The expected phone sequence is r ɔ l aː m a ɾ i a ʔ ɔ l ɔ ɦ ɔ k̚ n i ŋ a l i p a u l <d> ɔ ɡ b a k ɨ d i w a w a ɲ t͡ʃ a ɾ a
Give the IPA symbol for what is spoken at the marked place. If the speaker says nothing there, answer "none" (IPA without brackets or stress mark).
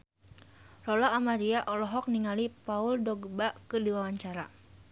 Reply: d